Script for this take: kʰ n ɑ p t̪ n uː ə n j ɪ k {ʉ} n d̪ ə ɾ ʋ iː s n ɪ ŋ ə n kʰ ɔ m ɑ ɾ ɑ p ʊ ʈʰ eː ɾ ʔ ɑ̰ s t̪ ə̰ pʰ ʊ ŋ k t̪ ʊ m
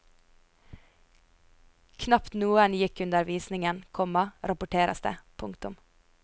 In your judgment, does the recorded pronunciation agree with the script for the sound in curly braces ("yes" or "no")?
yes